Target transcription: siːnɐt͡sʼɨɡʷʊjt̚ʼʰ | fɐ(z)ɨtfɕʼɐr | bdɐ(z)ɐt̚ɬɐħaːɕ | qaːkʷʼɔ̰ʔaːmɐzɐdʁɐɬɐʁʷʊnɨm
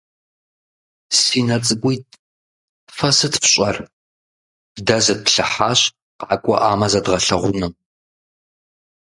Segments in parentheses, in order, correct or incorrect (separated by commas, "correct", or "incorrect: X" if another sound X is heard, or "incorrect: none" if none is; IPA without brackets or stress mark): incorrect: s, correct